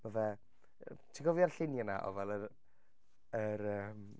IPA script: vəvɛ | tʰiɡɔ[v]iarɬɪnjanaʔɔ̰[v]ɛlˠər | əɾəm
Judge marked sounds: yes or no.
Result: yes, yes

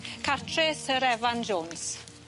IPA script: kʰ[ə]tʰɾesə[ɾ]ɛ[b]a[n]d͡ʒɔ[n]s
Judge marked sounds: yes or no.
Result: no, yes, no, yes, yes

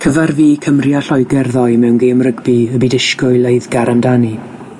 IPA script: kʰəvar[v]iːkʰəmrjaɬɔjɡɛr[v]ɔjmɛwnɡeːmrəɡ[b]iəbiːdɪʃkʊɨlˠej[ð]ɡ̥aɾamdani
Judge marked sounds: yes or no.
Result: yes, no, yes, yes

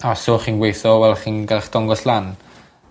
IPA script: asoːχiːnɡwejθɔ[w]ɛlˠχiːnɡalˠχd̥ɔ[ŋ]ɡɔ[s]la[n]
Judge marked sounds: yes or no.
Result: yes, yes, yes, yes

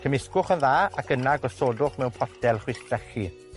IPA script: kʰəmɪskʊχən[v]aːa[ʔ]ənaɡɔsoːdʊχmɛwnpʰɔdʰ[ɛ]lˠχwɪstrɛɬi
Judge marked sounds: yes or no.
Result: no, no, yes

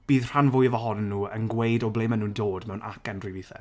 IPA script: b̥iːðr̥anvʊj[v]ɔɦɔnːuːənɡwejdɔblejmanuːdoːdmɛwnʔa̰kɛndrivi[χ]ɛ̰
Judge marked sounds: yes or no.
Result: yes, no

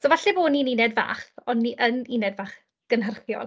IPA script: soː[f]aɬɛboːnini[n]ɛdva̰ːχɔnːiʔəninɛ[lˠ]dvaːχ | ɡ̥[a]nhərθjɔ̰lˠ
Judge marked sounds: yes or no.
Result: no, yes, no, no

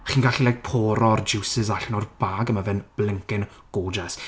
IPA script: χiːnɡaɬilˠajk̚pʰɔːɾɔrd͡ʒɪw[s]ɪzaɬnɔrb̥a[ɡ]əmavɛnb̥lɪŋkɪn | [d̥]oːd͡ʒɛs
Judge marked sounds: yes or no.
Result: yes, yes, no

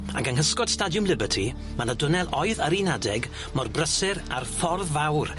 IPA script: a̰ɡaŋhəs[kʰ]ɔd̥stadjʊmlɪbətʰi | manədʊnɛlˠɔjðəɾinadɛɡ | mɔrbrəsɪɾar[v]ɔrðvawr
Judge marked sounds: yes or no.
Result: no, no

